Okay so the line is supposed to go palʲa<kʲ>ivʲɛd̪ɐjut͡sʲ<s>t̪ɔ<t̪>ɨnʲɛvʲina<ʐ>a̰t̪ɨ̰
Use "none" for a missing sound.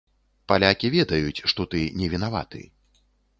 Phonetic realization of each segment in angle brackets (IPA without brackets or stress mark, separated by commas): kʲ, ʂ, t̪, v